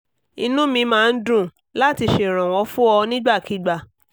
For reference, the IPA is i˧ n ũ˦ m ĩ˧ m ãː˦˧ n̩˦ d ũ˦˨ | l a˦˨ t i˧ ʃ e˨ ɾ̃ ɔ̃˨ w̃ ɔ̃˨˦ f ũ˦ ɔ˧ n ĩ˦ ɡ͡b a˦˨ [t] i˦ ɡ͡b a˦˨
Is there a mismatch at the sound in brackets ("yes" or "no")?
yes